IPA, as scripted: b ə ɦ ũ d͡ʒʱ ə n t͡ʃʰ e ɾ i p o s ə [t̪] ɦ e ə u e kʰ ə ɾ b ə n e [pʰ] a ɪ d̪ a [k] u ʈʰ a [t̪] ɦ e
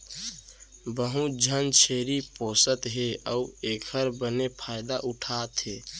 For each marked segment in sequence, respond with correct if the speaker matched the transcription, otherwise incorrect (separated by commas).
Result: correct, correct, incorrect, correct